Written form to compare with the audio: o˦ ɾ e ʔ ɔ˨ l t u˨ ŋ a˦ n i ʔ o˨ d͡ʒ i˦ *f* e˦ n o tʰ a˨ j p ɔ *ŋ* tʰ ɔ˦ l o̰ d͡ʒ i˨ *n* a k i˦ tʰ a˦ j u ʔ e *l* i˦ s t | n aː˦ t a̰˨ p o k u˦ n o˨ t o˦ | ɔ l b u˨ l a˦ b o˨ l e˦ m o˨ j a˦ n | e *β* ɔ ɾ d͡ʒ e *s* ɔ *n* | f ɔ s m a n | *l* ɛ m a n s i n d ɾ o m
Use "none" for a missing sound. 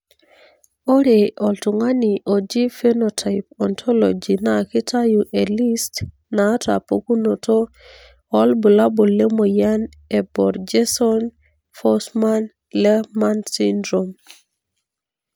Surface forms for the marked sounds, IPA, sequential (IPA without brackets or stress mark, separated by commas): f, n, n, l, b, s, n, l